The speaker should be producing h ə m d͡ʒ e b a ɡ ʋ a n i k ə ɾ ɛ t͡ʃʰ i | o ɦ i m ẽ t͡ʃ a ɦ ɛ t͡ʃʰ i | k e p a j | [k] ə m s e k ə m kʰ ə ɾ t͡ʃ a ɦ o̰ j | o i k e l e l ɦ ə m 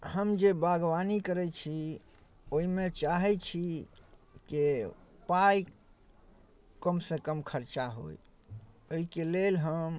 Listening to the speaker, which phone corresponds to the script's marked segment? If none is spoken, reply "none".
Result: k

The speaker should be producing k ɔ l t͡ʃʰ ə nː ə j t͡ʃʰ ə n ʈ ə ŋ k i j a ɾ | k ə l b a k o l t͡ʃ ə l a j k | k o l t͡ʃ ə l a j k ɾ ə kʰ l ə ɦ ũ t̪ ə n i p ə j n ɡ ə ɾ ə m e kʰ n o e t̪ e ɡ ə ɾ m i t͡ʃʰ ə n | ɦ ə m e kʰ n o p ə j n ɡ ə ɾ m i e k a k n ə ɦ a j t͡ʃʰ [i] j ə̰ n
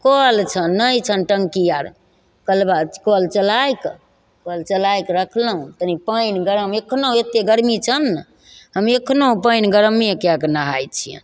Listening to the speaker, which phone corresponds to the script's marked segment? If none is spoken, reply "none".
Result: i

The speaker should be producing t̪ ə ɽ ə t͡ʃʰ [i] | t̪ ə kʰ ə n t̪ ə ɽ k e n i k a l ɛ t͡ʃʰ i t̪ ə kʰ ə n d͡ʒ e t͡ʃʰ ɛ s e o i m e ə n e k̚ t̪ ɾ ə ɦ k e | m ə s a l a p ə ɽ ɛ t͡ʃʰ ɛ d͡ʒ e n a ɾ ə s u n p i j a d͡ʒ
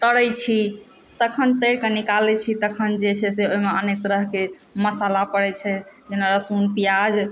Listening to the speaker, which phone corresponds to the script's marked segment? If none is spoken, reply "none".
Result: i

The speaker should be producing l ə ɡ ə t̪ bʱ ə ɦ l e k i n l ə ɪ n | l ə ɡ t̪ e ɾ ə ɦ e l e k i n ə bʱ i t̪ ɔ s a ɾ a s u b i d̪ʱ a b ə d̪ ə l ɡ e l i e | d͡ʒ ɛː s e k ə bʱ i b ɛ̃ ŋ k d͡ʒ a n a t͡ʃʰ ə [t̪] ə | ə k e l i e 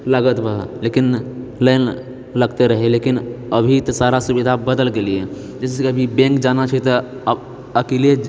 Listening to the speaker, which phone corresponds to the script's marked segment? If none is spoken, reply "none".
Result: t̪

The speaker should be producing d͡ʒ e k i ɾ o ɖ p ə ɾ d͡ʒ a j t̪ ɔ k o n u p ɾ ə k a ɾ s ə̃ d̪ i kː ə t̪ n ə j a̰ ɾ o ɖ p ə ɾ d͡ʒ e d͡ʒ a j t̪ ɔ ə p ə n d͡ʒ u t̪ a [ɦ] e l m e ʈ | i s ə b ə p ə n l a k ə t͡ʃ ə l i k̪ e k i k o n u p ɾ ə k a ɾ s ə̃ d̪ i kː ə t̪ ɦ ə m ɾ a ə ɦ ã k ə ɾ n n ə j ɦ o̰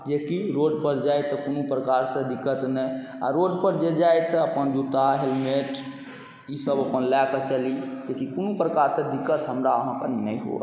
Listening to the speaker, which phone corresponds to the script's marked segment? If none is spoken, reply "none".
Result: ɦ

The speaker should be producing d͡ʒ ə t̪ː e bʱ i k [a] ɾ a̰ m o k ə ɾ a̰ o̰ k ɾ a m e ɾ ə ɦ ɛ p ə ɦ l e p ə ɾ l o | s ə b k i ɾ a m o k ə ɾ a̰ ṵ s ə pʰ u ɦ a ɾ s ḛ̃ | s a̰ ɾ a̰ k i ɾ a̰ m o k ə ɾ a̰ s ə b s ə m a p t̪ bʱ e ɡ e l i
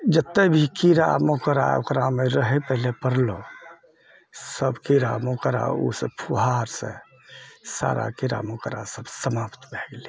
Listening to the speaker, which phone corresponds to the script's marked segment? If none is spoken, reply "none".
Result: i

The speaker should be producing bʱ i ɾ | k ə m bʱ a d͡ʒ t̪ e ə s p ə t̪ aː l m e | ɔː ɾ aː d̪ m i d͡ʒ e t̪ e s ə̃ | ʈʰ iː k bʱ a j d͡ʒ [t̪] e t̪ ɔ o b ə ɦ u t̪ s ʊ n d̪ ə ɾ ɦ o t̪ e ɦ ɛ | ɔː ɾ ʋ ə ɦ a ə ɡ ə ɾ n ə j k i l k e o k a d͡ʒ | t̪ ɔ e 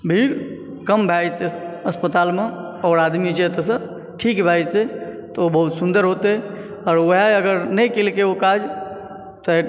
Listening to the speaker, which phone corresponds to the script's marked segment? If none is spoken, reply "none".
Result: t̪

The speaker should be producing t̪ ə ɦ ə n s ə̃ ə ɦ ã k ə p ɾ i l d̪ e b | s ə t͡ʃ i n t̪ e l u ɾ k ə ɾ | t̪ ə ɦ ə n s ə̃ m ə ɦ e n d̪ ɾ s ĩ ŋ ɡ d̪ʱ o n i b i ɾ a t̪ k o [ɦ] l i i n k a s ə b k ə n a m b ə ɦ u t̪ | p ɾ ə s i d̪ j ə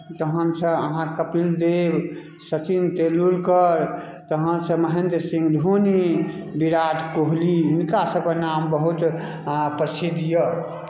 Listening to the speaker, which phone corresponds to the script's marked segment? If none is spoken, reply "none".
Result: ɦ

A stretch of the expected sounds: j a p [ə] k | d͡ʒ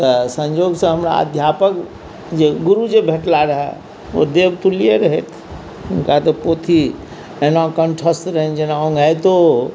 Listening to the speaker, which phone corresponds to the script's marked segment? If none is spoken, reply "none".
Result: ə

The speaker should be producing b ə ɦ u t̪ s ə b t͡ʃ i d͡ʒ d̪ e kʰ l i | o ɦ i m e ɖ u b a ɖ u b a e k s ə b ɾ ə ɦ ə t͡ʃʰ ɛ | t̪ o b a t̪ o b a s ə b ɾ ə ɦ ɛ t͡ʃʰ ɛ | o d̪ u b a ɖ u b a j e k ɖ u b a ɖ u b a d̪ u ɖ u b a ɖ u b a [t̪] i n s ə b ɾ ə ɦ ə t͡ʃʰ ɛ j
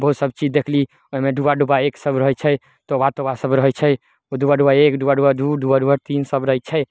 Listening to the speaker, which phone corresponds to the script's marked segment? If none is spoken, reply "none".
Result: t̪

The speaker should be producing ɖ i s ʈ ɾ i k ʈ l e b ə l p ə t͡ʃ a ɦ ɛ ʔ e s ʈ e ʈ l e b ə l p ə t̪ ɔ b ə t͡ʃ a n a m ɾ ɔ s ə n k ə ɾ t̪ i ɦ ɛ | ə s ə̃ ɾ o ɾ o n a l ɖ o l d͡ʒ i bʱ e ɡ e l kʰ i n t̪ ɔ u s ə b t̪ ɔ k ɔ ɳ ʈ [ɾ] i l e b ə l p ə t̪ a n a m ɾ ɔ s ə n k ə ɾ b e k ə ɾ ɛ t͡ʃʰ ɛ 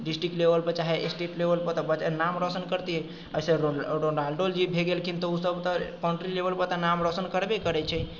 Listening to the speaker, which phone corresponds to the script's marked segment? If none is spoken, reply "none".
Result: ɾ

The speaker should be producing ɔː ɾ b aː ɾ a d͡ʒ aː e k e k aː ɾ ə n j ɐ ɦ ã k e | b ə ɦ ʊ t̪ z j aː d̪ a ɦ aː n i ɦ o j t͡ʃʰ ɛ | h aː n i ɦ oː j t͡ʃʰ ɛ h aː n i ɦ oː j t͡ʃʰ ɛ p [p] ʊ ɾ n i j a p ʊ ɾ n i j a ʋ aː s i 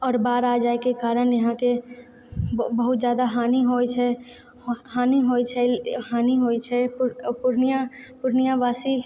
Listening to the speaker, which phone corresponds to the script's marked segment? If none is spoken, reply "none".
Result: p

